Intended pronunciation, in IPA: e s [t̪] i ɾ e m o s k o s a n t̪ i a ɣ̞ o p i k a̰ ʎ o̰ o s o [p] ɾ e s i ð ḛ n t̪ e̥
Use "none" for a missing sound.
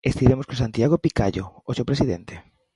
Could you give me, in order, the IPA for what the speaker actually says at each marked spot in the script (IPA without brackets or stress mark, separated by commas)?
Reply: t̪, p